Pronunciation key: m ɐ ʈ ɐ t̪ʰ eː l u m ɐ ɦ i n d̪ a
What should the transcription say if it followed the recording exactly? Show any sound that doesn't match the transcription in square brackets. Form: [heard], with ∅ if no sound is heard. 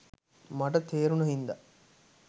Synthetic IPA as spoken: m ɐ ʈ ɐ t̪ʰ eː [ɾ] u [n] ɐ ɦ i n d̪ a